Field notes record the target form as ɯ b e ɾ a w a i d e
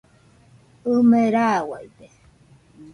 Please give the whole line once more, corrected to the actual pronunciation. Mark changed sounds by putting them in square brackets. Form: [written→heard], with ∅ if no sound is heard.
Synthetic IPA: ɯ [b→m] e ɾ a w a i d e